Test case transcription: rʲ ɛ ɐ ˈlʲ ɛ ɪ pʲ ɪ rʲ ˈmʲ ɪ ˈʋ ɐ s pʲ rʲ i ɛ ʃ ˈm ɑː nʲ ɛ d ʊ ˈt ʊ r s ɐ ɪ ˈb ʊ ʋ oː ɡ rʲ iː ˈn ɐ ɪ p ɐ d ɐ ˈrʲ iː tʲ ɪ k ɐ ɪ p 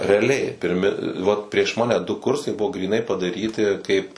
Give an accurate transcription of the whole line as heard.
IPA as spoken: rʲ ɛ ɐ ˈlʲ ɛ ɪ pʲ ɪ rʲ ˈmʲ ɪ ˈʋ ɐ t pʲ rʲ i ɛ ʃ ˈm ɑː nʲ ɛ d ʊ ˈk ʊ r s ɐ ɪ ˈb ʊ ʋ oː ɡ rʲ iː ˈn ɐ ɪ p ɐ d ɐ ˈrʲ iː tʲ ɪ k ɐ ɪ p